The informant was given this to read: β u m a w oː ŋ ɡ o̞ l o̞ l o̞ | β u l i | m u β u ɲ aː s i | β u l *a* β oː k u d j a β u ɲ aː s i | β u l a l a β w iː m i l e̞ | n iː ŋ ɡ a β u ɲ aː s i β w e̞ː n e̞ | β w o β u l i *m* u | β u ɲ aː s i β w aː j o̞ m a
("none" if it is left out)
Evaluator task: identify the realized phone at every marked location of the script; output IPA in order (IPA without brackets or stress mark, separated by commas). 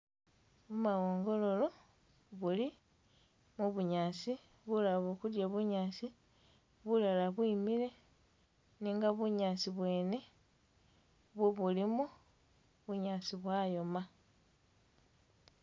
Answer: a, m